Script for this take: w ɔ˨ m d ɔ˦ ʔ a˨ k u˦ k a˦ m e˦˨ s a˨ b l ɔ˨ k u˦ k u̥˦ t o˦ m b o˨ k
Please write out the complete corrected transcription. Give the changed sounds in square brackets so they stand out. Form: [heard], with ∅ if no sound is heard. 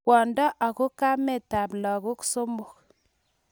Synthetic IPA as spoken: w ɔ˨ [n] d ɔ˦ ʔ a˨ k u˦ k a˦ m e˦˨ [t] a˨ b l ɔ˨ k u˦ k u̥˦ [s] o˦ m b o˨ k